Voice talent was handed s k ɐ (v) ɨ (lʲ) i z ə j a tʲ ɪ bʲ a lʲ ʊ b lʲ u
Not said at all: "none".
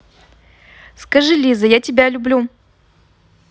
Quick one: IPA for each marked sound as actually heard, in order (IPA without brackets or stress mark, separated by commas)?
ʐ, lʲ